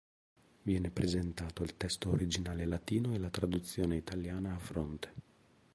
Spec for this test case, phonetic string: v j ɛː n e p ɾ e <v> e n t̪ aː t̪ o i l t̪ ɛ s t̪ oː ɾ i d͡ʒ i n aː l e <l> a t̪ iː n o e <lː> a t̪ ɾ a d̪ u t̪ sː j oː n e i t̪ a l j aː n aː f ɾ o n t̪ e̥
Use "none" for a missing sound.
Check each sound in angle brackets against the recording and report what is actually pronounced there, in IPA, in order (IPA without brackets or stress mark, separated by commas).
z, l, l